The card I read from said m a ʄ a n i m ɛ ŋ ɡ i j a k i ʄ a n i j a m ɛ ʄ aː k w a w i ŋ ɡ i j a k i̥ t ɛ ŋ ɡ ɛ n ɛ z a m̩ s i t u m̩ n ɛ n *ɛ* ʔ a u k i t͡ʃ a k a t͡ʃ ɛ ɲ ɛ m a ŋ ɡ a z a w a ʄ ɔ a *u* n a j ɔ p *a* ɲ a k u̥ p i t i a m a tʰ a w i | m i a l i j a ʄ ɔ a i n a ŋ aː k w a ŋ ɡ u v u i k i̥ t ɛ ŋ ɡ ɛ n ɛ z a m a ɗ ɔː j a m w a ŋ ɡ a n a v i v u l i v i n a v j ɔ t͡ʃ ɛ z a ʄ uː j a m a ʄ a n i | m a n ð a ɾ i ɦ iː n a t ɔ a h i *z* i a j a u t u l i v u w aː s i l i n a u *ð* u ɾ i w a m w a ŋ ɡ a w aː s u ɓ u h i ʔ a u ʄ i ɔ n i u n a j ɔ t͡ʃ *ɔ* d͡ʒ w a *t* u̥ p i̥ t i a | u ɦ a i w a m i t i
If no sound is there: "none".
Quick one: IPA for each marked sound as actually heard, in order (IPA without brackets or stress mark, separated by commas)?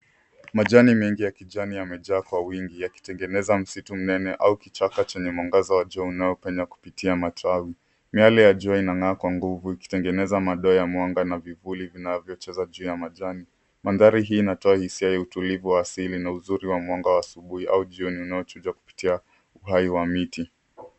ɛ, u, ɛ, s, z, u, k